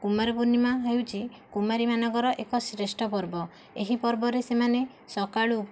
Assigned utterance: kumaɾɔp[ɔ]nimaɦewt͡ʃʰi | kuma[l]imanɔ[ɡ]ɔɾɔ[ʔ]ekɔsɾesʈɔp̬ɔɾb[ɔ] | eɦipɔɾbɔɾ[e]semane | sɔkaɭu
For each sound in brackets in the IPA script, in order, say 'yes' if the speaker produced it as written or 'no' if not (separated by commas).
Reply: no, no, yes, yes, yes, yes